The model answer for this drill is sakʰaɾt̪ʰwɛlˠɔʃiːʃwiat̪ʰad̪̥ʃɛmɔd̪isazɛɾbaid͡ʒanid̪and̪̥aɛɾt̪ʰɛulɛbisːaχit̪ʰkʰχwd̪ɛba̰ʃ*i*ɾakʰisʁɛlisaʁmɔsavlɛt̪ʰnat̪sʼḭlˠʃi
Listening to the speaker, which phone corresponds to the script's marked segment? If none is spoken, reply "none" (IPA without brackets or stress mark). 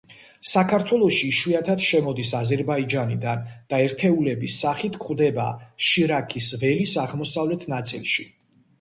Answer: i